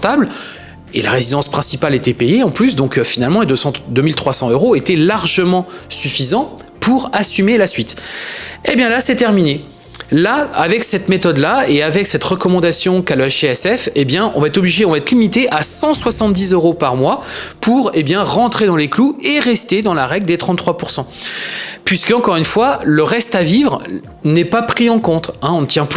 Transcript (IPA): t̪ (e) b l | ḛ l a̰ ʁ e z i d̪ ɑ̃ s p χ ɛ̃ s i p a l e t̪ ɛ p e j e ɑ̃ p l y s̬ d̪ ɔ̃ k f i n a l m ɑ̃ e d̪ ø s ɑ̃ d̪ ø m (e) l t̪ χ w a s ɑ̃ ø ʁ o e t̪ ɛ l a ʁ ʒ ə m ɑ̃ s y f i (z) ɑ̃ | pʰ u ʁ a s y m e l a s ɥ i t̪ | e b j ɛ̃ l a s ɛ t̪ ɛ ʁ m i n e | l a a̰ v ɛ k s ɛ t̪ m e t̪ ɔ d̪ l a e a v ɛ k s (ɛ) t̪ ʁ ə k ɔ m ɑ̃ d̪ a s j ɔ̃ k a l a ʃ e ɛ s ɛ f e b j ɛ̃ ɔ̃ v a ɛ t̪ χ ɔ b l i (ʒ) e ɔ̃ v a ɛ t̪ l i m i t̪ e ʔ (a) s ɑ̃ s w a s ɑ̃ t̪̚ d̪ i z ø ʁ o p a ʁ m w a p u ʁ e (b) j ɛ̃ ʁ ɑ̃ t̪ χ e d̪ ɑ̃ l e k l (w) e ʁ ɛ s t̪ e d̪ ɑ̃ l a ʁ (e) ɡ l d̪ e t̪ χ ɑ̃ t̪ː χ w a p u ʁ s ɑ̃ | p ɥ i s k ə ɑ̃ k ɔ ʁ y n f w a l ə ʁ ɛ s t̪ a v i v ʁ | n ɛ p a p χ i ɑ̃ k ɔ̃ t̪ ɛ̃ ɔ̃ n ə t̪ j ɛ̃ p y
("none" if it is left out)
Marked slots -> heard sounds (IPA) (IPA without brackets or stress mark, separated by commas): a, i, z, ɛ, ʒ, a, b, u, ɛ